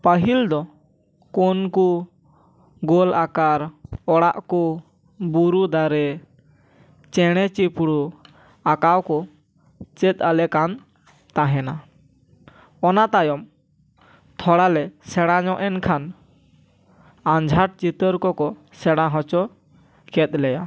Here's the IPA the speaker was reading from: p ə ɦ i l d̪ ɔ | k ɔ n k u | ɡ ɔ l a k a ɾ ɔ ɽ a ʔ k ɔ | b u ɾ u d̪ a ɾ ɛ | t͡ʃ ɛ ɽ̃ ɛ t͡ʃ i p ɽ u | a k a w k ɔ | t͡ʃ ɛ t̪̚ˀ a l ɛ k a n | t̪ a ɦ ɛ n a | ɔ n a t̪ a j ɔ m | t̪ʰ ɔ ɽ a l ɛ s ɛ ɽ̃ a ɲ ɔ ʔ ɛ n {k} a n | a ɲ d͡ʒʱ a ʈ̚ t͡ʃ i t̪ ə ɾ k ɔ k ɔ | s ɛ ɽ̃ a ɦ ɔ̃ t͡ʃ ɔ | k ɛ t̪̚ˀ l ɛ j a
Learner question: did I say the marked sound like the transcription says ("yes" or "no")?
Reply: no